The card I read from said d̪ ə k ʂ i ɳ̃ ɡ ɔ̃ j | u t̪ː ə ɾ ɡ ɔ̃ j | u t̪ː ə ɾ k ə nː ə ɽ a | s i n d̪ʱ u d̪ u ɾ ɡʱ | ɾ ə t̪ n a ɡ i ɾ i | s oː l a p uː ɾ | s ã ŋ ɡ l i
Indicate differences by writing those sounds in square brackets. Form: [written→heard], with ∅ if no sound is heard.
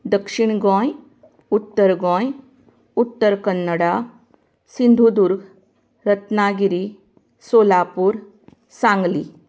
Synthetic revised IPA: d̪ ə k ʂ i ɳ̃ ɡ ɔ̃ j | u t̪ː ə ɾ ɡ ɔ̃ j | u t̪ː ə ɾ k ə nː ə ɽ a | s i n d̪ʱ u d̪ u ɾ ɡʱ | ɾ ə t̪ n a ɡ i ɾ i | s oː l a p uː ɾ | s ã ŋ ɡ l i